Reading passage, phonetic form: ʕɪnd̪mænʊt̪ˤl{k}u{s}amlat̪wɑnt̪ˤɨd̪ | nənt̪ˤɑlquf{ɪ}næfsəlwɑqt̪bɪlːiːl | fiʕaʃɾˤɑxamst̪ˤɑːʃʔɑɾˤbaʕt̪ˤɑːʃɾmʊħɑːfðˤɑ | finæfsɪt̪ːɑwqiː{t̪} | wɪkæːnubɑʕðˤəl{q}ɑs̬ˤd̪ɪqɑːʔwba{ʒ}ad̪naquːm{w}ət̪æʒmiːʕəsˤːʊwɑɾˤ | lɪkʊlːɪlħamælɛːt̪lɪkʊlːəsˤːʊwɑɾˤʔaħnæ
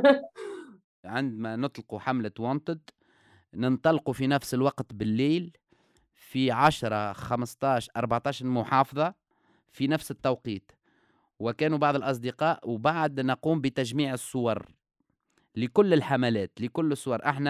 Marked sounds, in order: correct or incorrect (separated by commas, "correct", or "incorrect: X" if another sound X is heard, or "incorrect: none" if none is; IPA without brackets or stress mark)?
incorrect: q, incorrect: ħ, incorrect: i, correct, incorrect: ʔ, incorrect: ʕ, incorrect: b